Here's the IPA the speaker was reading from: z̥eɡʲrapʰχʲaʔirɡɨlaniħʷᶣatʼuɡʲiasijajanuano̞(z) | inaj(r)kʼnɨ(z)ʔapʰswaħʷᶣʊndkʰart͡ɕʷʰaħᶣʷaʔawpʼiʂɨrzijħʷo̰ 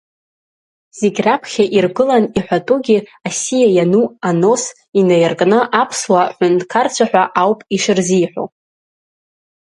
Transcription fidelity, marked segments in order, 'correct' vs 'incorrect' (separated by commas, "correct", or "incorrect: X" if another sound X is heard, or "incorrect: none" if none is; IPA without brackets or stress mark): incorrect: s, correct, incorrect: none